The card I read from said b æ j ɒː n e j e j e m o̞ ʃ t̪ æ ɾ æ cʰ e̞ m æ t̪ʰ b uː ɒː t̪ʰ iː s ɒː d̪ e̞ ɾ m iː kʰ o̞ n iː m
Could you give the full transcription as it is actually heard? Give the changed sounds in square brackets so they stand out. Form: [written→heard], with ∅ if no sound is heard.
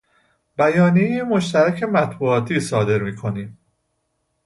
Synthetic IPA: b æ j ɒː n [e→i] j e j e m o̞ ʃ t̪ æ ɾ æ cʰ e̞ m æ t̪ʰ b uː ɒː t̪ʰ iː s ɒː d̪ e̞ ɾ m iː kʰ o̞ n iː m